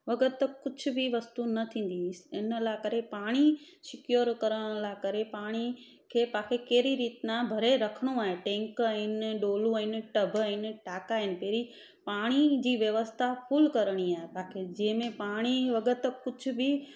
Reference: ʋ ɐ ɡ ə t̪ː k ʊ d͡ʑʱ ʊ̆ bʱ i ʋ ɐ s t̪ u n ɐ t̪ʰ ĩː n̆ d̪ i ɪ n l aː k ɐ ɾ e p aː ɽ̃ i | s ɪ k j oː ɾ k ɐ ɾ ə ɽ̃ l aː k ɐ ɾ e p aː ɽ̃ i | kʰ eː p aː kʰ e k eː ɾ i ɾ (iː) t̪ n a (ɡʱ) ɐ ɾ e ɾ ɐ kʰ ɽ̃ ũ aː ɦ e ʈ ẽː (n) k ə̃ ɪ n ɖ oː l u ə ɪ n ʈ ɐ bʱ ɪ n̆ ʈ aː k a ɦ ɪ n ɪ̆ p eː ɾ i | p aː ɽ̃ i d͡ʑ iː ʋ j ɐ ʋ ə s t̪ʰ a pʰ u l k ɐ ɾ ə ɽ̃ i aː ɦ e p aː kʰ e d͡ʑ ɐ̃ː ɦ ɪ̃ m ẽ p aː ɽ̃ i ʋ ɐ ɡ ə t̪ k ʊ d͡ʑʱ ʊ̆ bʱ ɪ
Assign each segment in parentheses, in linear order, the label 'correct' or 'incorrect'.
correct, incorrect, incorrect

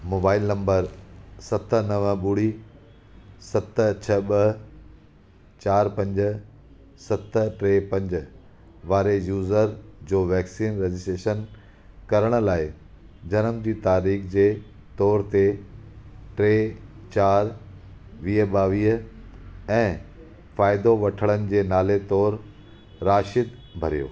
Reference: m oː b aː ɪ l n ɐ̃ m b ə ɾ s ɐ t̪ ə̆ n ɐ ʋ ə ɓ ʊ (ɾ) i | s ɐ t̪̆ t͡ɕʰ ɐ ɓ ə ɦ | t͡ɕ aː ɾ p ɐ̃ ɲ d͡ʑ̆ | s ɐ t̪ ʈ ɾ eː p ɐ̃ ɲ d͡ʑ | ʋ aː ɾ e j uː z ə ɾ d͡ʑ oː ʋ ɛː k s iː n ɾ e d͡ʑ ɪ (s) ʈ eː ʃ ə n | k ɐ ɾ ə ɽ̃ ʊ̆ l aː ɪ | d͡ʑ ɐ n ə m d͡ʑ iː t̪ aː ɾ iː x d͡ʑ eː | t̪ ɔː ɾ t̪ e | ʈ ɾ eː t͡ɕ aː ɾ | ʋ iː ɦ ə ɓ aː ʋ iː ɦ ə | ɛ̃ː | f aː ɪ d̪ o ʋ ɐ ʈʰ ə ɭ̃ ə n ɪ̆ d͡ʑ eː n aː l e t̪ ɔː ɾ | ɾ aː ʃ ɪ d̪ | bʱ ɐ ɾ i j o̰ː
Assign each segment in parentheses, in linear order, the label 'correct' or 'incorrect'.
incorrect, correct

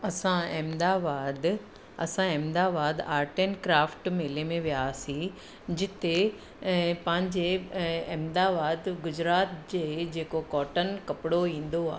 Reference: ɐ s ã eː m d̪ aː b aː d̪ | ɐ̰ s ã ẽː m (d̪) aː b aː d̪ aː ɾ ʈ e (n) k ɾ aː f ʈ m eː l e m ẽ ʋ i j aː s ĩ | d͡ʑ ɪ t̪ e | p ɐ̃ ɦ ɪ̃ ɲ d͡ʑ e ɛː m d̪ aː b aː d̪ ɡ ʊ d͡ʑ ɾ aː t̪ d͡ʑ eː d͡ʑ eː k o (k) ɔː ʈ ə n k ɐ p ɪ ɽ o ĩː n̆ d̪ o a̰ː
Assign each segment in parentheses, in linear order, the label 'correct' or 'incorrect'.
correct, correct, correct

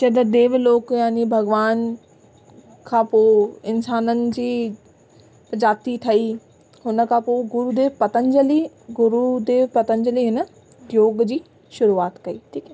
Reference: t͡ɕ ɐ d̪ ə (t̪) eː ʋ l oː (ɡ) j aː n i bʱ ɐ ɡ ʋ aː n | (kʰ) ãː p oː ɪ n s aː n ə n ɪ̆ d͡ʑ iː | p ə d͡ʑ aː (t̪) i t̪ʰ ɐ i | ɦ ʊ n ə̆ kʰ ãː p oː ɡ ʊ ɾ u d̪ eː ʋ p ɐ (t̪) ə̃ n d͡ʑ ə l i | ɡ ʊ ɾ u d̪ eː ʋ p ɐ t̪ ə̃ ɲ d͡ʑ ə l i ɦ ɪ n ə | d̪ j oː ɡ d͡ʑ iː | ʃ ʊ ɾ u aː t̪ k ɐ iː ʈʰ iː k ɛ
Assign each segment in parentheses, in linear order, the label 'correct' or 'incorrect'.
incorrect, incorrect, correct, correct, correct

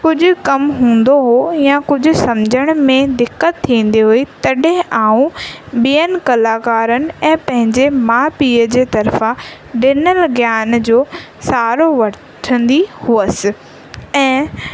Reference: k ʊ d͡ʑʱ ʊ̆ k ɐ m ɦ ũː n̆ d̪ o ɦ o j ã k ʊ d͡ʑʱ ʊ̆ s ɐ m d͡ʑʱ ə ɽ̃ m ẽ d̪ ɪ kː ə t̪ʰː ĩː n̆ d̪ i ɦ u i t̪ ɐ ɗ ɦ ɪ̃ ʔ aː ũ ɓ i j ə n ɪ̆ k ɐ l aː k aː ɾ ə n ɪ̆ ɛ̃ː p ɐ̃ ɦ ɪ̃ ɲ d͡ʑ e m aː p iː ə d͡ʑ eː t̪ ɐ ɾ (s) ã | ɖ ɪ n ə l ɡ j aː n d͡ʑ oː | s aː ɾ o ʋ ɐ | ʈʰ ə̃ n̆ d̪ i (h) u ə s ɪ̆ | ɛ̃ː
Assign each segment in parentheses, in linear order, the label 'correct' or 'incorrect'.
incorrect, correct

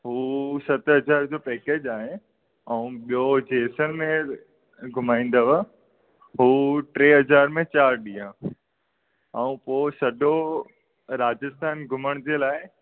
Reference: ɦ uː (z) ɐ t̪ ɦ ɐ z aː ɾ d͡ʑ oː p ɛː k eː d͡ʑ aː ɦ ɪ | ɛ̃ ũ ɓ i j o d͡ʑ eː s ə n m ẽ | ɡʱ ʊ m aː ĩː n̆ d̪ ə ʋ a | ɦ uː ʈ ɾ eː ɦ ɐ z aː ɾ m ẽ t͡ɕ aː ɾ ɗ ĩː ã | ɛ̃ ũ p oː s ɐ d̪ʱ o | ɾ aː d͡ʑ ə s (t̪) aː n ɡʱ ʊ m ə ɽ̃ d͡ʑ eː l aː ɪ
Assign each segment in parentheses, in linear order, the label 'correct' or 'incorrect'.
incorrect, incorrect

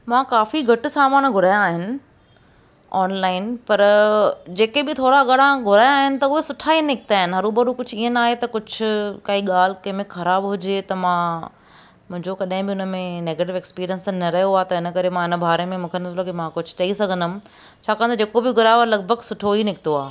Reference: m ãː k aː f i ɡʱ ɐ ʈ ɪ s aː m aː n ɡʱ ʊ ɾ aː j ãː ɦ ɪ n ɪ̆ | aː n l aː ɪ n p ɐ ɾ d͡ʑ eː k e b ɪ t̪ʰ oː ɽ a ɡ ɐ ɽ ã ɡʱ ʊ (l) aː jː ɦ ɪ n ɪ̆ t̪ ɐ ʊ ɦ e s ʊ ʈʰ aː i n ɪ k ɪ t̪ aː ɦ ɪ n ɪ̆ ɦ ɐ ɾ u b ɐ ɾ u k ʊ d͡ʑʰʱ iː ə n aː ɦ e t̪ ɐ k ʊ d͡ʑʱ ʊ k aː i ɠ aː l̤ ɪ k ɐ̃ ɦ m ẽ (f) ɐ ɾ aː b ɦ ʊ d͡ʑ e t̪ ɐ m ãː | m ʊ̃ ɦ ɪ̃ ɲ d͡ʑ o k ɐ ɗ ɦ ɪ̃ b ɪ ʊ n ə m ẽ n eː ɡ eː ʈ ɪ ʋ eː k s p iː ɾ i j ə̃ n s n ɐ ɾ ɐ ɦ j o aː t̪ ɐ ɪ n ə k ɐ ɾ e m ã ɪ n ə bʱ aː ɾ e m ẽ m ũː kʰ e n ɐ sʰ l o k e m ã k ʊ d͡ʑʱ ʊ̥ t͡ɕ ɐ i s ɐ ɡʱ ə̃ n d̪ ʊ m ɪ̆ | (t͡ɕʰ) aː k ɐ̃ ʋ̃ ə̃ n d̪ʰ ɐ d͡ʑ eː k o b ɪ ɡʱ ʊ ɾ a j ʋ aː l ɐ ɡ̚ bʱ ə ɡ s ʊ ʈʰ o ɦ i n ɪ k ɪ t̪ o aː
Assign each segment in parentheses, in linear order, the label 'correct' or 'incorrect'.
incorrect, incorrect, correct

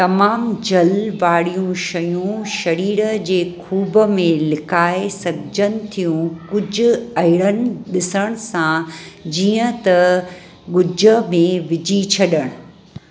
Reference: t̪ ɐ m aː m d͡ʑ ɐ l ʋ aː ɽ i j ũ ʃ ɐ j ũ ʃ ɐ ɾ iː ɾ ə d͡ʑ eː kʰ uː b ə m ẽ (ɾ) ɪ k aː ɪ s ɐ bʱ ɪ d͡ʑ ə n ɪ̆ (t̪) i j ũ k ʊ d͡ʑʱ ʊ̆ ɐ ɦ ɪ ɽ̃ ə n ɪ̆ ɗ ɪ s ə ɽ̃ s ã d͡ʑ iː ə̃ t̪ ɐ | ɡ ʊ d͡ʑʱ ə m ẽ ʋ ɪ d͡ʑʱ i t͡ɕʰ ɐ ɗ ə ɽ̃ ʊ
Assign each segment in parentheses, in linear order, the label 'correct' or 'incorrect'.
incorrect, incorrect

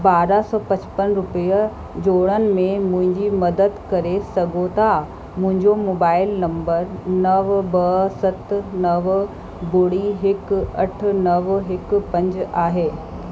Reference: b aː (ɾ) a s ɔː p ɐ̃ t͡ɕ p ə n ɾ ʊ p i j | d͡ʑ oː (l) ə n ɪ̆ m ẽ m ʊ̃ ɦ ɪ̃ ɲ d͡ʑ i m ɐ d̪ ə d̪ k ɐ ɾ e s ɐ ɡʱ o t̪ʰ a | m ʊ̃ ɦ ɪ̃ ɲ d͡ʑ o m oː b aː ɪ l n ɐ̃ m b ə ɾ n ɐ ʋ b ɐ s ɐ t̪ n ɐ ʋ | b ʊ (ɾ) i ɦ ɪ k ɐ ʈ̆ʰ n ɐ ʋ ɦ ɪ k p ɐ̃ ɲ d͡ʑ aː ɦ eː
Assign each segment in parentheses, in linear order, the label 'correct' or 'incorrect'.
correct, incorrect, incorrect

